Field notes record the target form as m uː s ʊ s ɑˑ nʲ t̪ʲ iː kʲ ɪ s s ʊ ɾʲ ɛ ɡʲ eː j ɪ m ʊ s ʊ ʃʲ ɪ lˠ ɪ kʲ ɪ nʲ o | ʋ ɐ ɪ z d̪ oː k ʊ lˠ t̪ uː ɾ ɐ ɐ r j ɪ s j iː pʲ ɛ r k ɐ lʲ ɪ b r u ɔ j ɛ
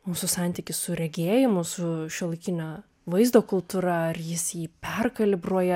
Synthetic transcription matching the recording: m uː s ʊ s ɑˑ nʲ t̪ʲ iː kʲ ɪ s s ʊ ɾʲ ɛ ɡʲ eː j ɪ m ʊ s ʊ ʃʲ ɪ lˠ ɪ kʲ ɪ nʲ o | ʋ ɐ ɪ z d̪ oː k ʊ lˠ t̪ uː ɾ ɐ ɐ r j ɪ s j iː pʲ ɛ r k ɐ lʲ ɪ b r u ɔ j ɛ